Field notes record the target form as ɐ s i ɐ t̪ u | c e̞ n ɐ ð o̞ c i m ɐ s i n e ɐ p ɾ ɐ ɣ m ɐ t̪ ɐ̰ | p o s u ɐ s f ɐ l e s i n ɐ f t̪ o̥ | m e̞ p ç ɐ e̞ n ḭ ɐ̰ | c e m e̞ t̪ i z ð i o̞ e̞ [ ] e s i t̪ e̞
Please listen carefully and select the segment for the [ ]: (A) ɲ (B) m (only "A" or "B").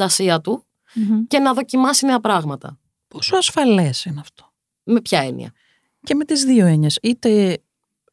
A